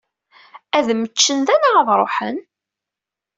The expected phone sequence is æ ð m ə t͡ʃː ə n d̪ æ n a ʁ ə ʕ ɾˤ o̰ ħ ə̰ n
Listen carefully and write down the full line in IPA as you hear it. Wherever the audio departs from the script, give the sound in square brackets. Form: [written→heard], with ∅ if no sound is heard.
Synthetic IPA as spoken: æ ð m ə t͡ʃː ə n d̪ æ n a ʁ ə [ʕ→ð] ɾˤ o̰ ħ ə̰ n